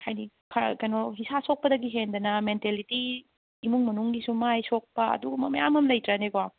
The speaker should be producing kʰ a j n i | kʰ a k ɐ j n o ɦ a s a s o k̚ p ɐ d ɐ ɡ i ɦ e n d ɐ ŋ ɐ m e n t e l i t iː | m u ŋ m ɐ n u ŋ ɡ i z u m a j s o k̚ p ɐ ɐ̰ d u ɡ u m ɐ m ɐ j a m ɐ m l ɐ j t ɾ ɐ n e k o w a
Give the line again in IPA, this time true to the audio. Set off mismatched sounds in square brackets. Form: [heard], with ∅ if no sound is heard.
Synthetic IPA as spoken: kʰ a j n i | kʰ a k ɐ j n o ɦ [i] s a s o k̚ p ɐ d ɐ ɡ i ɦ e n d ɐ [n] ɐ m e n t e l i t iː | m u ŋ m ɐ n u ŋ ɡ i [s] u m a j s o k̚ p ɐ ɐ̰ d u ɡ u m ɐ m ɐ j a m ɐ m l ɐ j t ɾ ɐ n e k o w a

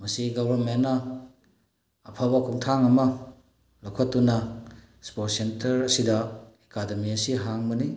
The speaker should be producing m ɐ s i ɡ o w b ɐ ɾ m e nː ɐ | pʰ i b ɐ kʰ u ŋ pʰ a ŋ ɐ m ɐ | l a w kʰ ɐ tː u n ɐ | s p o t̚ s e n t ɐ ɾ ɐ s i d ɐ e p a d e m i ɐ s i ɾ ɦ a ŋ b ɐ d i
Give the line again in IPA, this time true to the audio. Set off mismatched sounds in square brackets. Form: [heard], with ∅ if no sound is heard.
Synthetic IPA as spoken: m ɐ s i ɡ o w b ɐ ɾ m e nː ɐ | pʰ [a] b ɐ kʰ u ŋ [tʰ] a ŋ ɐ m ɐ | l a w kʰ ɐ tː u n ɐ | s p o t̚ s e n t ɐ ɾ ɐ s i d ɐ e [k] a d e m i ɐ s i [∅] ɦ a ŋ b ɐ [n] i

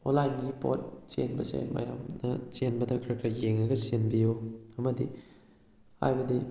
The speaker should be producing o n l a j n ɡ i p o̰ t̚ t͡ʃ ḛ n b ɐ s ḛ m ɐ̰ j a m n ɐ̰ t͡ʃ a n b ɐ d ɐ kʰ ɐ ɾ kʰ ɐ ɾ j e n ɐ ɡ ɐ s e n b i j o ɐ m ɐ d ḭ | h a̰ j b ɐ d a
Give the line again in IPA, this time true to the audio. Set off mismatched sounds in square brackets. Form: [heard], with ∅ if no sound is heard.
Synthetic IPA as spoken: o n l a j n ɡ i p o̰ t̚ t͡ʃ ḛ n b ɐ s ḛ m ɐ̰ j a m n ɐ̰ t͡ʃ [e] n b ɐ d ɐ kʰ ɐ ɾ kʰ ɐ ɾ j e [ŋ] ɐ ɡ ɐ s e n b i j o ɐ m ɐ d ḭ | h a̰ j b ɐ d [i]

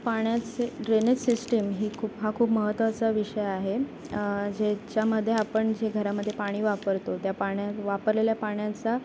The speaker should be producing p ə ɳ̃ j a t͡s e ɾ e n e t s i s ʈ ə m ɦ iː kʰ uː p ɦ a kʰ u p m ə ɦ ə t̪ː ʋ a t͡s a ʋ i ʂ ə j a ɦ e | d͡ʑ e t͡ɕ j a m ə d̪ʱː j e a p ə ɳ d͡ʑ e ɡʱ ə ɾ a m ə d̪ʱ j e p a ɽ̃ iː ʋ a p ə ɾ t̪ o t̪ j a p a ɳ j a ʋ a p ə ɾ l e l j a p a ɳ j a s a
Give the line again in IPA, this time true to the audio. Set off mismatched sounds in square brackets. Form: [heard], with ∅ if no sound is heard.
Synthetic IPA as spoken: p [a] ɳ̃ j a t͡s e ɾ e n e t s i s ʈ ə m ɦ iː kʰ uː p ɦ a kʰ [uː] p m ə ɦ ə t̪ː ʋ a t͡s a ʋ i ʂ ə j a ɦ e | d͡ʑ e t͡ɕ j a m ə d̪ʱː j e a p ə ɳ d͡ʑ e ɡʱ ə ɾ a m ə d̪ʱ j e p a ɽ̃ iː ʋ a p ə ɾ t̪ o t̪ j a p a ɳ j a ʋ a p ə ɾ l e l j a p a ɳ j a [t͡s] a

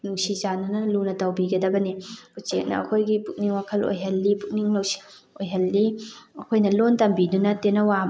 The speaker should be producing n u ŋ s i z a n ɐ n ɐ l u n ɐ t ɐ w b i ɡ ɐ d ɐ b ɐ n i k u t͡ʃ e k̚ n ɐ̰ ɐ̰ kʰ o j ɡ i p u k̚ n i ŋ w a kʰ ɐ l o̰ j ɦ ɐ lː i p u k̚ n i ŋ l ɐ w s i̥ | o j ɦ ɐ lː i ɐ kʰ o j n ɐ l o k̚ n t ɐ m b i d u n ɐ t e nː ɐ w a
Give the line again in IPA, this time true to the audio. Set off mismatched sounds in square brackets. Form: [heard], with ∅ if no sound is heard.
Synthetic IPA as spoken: n u ŋ s i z a n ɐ n ɐ l u n ɐ t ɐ w b i ɡ ɐ d ɐ b ɐ n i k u t͡ʃ e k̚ n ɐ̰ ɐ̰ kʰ o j ɡ i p u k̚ n i ŋ w a kʰ ɐ l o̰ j ɦ ɐ lː i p u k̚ n i ŋ l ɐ w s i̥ | o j ɦ ɐ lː i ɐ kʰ o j n ɐ l o [∅] n t ɐ m b i d u n ɐ t e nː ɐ w a

